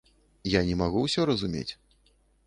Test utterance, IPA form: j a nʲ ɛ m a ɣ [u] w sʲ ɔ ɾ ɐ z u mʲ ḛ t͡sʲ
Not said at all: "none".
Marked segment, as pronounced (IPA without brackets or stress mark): u